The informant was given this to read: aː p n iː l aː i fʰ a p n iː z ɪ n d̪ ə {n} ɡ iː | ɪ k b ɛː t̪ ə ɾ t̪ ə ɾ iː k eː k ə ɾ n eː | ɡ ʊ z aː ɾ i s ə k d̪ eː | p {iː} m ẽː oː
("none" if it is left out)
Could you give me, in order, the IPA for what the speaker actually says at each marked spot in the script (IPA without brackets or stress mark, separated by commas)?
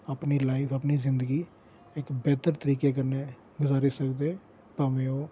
none, aː